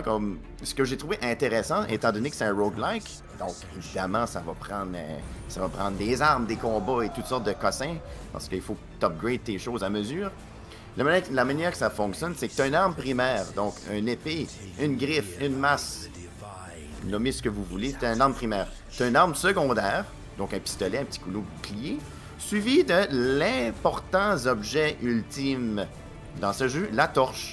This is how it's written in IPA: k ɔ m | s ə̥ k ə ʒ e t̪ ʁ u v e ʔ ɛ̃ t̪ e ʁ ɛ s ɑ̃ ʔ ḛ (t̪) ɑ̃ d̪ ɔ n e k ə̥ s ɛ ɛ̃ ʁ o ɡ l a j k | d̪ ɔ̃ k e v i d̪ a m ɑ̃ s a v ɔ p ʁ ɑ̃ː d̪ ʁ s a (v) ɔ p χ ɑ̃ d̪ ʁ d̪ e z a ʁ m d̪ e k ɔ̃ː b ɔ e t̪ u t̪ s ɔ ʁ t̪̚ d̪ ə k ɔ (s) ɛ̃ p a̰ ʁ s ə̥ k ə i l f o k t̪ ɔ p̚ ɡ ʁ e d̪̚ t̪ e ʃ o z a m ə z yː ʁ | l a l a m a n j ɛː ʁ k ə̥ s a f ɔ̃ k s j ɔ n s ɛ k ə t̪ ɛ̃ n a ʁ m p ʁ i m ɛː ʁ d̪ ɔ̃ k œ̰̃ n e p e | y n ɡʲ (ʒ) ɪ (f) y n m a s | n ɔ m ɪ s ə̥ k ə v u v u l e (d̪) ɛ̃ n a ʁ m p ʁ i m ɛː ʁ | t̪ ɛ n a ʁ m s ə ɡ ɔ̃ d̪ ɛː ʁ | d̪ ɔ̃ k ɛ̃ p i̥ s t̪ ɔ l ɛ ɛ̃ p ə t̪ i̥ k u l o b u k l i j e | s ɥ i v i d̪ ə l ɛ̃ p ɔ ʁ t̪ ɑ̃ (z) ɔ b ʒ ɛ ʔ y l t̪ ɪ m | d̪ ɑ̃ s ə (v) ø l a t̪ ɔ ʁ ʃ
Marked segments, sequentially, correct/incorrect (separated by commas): correct, correct, correct, incorrect, correct, incorrect, correct, incorrect